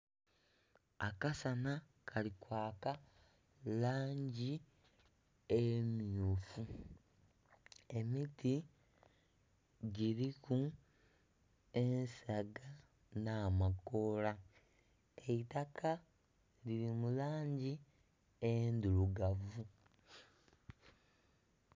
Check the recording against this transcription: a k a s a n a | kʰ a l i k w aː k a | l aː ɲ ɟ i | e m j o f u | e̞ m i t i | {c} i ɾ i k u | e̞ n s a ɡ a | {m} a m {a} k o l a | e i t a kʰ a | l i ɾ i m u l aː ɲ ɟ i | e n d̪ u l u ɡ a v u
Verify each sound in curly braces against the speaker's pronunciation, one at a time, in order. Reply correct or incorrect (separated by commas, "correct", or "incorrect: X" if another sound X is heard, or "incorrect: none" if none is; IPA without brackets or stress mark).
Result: incorrect: ɟ, incorrect: n, correct